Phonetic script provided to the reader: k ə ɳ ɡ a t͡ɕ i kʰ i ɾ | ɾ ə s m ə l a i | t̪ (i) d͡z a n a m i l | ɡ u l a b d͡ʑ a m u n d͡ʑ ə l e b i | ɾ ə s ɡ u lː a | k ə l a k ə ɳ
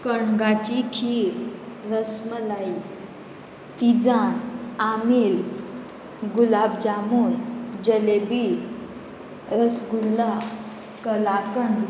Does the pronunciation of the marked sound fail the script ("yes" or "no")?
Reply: no